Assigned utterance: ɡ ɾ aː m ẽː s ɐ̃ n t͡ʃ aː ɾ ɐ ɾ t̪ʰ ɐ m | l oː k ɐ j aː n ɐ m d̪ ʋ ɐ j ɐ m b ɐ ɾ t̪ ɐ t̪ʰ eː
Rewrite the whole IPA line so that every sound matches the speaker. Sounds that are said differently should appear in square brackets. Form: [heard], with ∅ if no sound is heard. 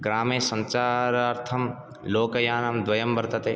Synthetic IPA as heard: ɡ ɾ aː m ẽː s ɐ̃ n t͡ʃ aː ɾ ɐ ɾ t̪ʰ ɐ m | l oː k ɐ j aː n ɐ m d̪ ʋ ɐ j ɐ m b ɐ ɾ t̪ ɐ [t̪] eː